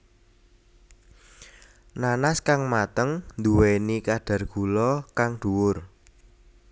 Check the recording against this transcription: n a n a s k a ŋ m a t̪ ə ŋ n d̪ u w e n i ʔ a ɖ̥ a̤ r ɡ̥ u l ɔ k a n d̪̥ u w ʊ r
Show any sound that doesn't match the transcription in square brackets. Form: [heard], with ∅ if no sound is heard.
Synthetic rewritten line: n a n a s k a ŋ m a t̪ ə ŋ n d̪ u w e n i [k] a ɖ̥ a̤ r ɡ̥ u l ɔ k a [ŋ] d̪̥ u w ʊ r